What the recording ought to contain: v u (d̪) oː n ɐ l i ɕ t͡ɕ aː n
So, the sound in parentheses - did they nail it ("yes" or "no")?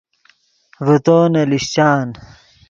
no